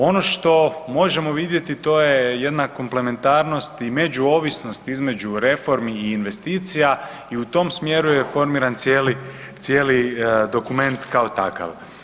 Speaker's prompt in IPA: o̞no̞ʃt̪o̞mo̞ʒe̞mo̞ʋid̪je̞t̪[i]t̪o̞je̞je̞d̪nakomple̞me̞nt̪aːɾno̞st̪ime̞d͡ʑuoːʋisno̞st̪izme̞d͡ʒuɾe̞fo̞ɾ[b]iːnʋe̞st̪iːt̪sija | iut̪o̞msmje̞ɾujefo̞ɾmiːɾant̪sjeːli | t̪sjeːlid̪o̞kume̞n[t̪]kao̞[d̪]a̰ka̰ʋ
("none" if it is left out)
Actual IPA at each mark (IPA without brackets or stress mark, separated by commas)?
i, m, t̪, t̪